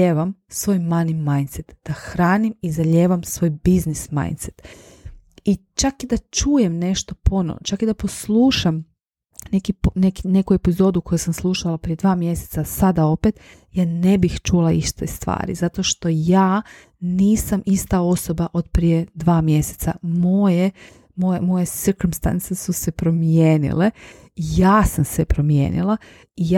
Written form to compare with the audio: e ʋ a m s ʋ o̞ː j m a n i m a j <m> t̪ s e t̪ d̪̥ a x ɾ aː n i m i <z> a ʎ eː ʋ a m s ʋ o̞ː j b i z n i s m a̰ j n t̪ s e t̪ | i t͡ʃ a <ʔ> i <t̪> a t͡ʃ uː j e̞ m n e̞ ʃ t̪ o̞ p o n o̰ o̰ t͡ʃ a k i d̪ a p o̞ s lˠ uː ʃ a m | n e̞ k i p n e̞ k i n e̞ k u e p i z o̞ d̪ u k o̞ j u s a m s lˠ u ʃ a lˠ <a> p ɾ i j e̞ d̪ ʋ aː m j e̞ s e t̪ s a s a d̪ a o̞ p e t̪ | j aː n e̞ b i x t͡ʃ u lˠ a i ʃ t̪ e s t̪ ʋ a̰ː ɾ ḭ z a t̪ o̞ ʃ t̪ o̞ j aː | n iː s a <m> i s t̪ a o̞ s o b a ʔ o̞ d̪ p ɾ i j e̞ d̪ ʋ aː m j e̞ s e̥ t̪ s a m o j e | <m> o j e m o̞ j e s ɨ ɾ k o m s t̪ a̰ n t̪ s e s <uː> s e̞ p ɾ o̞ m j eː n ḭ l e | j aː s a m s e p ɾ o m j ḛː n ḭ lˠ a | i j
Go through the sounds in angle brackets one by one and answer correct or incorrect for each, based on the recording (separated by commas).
incorrect, correct, incorrect, incorrect, correct, correct, correct, incorrect